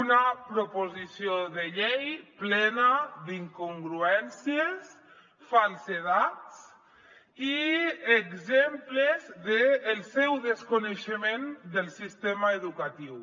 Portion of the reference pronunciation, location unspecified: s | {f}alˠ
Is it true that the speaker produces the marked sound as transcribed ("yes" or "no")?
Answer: yes